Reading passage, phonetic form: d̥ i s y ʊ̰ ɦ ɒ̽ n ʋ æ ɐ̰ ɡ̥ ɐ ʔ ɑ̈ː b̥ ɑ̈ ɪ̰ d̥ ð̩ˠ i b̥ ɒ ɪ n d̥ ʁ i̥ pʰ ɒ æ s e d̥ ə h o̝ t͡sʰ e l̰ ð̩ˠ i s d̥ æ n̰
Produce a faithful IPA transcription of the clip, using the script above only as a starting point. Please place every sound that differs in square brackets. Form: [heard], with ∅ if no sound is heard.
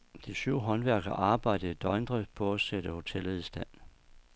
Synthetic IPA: d̥ i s y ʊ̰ ɦ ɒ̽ n ʋ æ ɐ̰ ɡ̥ ɐ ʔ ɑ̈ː b̥ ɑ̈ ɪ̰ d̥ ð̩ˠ i [d̥] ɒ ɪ n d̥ ʁ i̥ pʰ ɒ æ s e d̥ ə h o̝ t͡sʰ e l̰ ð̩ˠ i s d̥ æ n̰